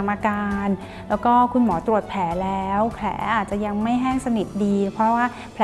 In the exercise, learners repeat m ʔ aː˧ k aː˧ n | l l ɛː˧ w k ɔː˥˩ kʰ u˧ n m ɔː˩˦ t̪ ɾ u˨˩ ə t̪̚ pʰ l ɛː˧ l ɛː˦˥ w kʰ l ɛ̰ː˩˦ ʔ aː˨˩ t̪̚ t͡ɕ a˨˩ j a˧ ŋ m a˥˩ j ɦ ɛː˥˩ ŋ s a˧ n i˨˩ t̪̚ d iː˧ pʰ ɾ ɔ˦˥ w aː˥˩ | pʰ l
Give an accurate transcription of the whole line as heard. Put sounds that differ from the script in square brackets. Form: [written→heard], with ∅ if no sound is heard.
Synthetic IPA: m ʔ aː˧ k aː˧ n | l l [ɛː˧→ɛː˦˥] w k ɔː˥˩ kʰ u˧ n m ɔː˩˦ t̪ ɾ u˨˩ ə t̪̚ pʰ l [ɛː˧→ɛː˩˦] l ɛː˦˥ w kʰ l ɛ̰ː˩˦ ʔ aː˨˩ t̪̚ t͡ɕ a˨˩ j a˧ ŋ m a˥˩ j ɦ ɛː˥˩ ŋ s a˧ n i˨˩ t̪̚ d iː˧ pʰ ɾ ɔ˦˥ w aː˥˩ | pʰ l